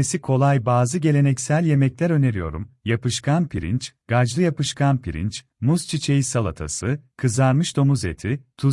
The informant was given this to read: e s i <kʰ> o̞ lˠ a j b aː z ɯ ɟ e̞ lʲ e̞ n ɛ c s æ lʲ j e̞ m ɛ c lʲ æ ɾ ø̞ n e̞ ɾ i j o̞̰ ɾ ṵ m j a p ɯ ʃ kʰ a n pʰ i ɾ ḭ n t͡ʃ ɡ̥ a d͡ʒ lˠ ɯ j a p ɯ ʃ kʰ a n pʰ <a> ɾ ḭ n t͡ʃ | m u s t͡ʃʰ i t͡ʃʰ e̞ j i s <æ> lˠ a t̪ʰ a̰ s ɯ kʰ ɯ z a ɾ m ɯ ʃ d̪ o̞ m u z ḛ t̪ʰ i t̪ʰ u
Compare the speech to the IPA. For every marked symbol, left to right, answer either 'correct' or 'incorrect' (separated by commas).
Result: correct, incorrect, incorrect